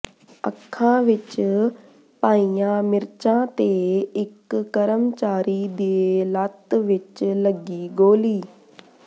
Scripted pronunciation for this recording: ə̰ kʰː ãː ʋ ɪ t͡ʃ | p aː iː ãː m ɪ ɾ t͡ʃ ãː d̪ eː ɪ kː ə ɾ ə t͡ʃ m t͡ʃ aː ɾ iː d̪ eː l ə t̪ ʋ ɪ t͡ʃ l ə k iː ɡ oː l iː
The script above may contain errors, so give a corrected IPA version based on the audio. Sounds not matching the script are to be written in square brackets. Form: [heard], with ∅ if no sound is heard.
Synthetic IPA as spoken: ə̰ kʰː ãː ʋ ɪ t͡ʃ | p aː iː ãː m ɪ ɾ t͡ʃ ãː [t̪] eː ɪ kː ə ɾ ə [∅] m t͡ʃ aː ɾ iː d̪ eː l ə t̪ ʋ ɪ t͡ʃ l ə [ɡ] iː ɡ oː l iː